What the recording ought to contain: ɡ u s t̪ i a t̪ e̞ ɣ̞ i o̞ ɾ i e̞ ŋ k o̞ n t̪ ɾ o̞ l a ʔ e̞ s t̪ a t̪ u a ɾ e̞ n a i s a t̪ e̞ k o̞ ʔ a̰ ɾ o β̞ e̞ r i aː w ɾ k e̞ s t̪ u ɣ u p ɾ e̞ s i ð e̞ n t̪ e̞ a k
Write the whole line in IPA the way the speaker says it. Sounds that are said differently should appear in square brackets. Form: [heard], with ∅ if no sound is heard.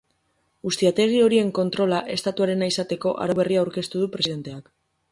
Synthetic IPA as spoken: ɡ u s t̪ i a t̪ e̞ ɣ̞ i o̞ ɾ i e̞ ŋ k o̞ n t̪ ɾ o̞ l a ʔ e̞ s t̪ a t̪ u a ɾ e̞ n a i s a t̪ e̞ k o̞ ʔ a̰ ɾ o β̞ e̞ r i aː w ɾ k e̞ s t̪ u [ð] u p ɾ e̞ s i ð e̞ n t̪ e̞ a k